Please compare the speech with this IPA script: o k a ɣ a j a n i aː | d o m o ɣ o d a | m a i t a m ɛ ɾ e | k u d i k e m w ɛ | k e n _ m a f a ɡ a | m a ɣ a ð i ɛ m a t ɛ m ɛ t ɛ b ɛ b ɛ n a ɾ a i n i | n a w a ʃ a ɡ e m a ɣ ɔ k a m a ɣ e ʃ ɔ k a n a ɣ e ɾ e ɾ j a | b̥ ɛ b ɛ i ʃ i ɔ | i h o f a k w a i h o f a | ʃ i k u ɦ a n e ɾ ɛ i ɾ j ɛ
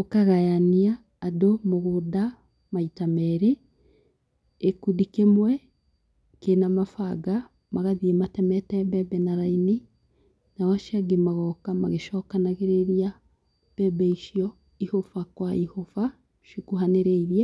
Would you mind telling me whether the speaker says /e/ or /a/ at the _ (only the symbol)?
a